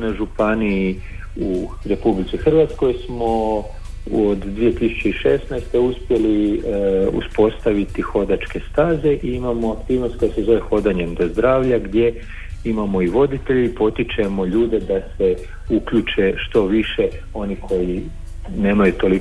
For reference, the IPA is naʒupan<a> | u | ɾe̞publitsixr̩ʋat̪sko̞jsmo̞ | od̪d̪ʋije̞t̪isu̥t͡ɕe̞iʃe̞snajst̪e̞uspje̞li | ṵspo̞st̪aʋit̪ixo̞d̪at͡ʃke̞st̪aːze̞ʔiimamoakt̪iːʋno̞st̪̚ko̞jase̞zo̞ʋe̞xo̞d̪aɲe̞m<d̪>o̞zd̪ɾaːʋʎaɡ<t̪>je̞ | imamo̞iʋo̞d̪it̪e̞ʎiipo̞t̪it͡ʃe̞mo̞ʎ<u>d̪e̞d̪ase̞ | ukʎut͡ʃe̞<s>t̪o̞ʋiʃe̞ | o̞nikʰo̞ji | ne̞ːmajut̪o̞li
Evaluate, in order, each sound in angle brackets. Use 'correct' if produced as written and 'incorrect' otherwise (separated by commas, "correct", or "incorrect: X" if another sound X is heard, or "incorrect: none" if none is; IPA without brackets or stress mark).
incorrect: i, correct, incorrect: d̪, incorrect: uː, incorrect: ʃ